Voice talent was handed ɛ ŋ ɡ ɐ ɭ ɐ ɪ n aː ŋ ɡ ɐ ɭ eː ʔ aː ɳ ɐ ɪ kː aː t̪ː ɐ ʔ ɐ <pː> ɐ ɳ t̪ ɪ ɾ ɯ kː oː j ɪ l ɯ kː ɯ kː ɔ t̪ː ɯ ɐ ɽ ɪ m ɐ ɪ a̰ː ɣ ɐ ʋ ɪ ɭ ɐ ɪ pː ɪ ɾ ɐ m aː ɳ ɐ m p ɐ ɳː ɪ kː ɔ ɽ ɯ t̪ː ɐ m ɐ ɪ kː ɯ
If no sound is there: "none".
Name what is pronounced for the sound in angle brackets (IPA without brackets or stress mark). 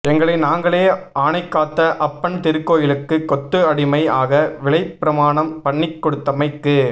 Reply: pː